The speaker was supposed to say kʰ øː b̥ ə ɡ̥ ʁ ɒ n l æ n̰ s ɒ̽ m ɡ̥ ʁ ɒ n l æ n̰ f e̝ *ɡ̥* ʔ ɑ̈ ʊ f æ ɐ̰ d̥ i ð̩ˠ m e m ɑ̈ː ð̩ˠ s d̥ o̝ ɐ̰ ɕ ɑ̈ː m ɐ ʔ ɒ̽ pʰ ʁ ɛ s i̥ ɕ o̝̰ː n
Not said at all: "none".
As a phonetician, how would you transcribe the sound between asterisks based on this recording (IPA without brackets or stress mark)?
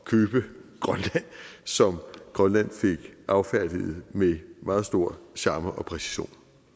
ɡ̥